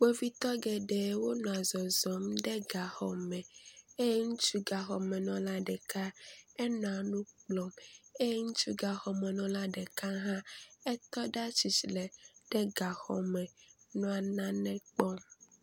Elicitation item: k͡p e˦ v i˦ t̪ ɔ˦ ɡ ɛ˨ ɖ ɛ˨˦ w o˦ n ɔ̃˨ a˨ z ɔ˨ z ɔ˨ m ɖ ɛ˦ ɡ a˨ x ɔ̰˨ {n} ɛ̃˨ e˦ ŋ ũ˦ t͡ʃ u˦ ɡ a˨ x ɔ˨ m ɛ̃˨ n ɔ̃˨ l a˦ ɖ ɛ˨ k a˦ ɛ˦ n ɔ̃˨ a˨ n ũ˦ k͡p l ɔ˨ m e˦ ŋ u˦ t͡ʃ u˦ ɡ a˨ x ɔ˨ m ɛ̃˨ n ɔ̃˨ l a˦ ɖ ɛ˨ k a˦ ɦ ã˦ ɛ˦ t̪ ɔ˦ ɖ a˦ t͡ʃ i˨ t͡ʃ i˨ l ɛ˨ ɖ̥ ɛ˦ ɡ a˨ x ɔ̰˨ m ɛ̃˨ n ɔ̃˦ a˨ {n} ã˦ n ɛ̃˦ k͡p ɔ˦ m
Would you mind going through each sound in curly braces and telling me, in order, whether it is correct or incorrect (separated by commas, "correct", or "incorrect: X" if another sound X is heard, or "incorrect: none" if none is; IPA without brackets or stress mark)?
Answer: incorrect: m, correct